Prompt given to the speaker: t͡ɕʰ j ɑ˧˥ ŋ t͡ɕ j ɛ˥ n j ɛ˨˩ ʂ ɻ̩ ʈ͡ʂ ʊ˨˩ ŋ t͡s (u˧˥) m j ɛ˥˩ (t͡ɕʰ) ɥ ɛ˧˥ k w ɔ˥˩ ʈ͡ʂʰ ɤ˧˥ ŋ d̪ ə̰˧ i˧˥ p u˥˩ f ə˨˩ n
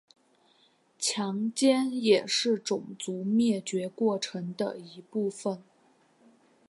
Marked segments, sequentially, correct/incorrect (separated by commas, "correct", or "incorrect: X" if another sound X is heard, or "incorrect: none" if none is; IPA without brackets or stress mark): correct, incorrect: t͡ɕ